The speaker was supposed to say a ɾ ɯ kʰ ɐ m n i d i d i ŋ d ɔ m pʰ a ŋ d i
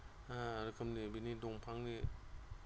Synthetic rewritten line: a ɾ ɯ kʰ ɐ m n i b i n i d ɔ ŋ pʰ a ŋ n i